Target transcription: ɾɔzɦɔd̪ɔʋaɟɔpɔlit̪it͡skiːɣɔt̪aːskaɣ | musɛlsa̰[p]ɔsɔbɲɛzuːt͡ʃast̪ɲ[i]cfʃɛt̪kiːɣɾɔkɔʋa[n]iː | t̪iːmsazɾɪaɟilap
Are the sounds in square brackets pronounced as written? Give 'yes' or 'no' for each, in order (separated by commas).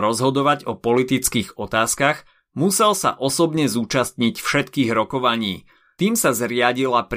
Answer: no, yes, no